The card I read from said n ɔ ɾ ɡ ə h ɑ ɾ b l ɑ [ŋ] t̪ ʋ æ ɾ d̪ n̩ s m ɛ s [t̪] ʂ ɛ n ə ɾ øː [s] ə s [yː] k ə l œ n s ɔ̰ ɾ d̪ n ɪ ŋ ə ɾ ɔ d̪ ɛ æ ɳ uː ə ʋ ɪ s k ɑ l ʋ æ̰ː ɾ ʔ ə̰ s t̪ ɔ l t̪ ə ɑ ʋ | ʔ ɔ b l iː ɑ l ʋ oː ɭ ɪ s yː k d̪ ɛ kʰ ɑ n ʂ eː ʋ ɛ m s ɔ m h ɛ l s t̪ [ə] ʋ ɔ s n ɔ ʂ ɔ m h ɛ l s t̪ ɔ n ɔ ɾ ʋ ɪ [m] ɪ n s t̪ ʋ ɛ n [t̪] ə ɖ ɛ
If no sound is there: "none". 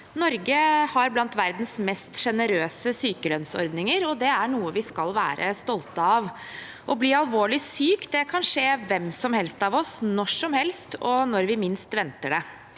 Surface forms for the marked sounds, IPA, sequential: n, t̪, s, yː, ɑ, m, t̪

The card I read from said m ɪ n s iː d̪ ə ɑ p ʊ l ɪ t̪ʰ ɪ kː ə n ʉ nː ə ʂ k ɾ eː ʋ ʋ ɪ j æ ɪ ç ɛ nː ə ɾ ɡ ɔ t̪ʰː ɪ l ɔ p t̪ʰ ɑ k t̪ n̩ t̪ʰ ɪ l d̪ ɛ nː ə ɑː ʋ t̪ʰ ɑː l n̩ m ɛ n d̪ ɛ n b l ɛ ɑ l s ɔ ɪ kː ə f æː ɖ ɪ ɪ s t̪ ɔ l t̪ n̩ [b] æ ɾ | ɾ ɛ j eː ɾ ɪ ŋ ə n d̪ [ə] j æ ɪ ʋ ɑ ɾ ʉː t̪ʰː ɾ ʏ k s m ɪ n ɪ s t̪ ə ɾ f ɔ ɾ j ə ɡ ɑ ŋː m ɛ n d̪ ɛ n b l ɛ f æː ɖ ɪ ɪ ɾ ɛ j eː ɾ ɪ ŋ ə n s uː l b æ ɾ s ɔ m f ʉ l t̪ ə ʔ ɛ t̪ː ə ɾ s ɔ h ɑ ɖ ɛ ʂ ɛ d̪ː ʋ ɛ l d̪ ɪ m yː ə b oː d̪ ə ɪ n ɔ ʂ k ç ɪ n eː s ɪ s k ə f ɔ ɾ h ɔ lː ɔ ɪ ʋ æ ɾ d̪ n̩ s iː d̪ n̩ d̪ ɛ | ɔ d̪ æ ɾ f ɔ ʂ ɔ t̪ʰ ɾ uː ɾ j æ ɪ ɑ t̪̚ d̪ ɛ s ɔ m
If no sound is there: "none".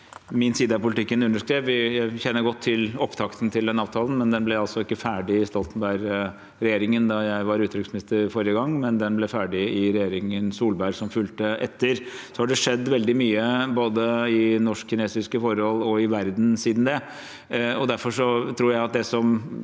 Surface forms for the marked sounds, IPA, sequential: b, ɑ

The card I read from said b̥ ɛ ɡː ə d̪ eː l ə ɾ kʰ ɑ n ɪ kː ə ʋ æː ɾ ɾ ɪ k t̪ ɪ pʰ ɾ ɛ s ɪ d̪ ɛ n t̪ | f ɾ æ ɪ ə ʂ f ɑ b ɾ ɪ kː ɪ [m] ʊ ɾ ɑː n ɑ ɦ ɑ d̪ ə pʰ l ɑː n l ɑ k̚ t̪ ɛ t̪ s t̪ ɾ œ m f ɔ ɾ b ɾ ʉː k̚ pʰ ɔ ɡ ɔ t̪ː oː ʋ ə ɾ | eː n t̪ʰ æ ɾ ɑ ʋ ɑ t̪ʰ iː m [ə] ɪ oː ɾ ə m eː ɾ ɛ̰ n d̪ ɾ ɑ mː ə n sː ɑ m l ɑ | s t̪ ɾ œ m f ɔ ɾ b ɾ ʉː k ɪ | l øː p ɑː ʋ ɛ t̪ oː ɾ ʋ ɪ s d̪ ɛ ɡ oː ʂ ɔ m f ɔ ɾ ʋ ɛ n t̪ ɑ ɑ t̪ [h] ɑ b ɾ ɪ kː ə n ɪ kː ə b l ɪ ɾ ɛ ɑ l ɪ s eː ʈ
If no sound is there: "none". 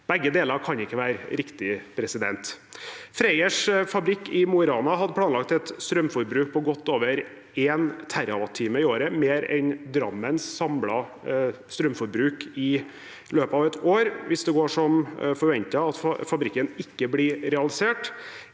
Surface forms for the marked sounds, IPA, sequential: m, ə, f

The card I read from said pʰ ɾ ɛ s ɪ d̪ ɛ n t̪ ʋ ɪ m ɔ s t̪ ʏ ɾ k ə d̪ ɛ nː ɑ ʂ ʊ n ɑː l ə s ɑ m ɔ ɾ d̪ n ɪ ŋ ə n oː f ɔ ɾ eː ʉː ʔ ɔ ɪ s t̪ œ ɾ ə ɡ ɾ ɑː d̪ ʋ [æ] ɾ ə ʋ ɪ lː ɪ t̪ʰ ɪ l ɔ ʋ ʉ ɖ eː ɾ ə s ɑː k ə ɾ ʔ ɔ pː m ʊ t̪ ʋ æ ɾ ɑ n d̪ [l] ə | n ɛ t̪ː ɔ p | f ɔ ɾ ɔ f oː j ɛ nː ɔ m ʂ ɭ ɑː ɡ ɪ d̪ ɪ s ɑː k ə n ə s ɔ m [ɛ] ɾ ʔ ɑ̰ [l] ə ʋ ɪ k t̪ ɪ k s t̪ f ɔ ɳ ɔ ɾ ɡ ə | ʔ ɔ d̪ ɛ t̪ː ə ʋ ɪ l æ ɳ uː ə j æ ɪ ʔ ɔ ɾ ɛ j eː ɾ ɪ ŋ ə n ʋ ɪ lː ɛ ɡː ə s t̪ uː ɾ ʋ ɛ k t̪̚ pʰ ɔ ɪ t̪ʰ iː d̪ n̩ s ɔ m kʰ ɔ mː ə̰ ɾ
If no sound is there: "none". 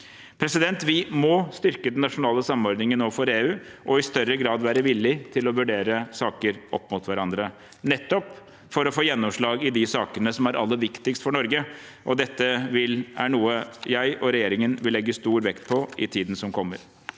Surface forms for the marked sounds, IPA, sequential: æː, ɾ, æ, lː

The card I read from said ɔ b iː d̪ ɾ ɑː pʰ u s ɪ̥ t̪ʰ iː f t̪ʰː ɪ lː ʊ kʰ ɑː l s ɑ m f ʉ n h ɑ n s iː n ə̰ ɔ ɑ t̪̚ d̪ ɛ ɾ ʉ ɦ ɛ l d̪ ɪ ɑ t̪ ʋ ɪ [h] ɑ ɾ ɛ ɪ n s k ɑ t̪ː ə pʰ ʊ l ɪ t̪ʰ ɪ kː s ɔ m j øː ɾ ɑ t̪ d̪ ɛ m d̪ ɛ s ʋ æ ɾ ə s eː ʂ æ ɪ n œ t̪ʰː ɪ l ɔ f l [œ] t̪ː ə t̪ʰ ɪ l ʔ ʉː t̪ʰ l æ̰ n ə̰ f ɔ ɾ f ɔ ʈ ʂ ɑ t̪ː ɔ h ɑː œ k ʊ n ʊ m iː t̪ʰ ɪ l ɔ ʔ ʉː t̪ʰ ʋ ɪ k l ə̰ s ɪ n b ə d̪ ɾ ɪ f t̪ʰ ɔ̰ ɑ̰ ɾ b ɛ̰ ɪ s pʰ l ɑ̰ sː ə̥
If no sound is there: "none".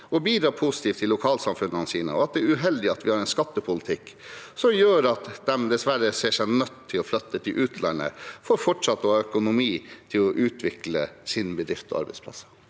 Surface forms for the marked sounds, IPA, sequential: h, œ

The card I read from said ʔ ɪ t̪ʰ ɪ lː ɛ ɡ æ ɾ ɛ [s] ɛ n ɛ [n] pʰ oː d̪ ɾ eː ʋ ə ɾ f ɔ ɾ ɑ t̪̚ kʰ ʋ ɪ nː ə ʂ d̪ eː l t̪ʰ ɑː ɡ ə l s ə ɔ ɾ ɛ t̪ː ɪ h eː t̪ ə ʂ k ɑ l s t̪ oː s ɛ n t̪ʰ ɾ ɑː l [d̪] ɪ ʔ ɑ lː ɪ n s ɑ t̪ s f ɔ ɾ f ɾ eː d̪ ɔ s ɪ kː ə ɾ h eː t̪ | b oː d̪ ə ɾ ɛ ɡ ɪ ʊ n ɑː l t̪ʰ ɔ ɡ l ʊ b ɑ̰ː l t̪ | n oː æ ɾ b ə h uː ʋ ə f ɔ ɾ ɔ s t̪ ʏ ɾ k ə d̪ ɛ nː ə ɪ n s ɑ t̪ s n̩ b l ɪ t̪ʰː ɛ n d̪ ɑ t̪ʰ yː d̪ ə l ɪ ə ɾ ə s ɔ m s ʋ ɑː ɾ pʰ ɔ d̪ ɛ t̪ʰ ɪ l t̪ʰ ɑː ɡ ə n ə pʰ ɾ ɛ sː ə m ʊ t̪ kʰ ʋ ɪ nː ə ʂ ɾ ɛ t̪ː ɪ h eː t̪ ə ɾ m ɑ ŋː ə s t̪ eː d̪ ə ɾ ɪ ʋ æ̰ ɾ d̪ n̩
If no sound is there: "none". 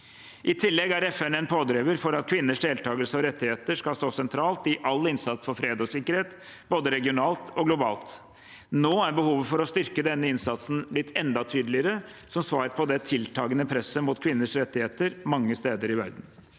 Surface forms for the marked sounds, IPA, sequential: f, n, t̪

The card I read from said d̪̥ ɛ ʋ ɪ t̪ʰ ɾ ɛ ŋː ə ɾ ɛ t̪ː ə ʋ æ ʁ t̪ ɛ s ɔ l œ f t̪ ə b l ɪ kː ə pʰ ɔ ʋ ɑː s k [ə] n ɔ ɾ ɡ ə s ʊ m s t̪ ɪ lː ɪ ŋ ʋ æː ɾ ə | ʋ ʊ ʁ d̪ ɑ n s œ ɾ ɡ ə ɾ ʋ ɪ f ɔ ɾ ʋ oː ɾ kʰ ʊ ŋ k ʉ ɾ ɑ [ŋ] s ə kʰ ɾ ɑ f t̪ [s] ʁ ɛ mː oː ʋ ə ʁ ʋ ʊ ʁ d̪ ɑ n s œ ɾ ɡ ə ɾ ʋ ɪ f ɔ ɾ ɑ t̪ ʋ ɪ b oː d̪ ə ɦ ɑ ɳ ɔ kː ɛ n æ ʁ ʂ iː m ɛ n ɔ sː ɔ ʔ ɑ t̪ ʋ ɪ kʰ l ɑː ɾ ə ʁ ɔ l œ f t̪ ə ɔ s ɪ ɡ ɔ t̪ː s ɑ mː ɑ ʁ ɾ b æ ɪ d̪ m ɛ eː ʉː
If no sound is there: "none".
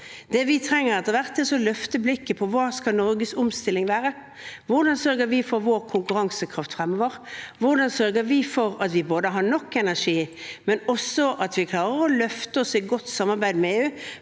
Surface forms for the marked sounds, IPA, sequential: ɑ, ŋ, f

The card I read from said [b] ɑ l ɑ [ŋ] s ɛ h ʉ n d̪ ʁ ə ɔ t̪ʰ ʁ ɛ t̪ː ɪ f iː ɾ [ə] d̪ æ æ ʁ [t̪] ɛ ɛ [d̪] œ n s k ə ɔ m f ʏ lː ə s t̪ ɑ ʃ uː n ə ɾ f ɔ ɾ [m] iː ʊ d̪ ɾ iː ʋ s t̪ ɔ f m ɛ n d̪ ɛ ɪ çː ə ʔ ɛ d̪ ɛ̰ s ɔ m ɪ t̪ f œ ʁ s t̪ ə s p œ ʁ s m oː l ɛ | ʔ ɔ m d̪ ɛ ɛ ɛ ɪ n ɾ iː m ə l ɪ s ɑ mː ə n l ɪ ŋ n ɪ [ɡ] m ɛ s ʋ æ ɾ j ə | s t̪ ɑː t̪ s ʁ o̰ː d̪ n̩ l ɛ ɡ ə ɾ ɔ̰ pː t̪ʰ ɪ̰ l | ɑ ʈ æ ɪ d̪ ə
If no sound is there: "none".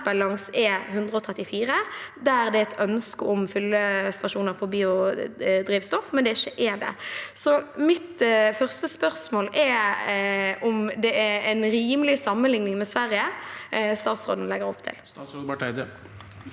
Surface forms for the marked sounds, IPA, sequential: b, ŋ, ə, d̪, t̪, b, ŋ

